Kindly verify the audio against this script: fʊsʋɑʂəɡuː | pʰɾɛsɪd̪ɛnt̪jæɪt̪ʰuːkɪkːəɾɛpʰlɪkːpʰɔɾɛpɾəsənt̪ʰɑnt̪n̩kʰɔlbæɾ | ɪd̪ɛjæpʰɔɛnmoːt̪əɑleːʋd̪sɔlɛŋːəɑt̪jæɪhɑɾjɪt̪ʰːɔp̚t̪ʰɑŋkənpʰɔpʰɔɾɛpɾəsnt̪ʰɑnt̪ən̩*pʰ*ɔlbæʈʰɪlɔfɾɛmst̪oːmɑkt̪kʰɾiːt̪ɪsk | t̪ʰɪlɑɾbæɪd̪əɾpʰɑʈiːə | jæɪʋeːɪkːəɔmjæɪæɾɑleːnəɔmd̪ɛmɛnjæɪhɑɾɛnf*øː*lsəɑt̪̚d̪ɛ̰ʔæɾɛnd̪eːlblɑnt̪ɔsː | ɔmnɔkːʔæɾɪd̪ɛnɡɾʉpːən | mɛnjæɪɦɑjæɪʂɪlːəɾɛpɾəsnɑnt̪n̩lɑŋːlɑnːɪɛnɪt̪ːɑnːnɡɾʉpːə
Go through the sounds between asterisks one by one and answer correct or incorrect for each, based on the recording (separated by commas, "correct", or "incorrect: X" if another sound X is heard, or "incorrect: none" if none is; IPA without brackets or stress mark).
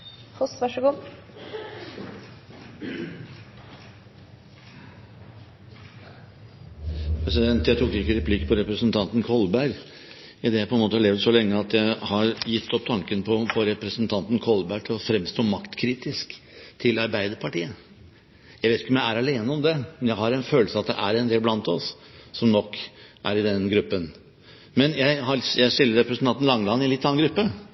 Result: incorrect: kʰ, correct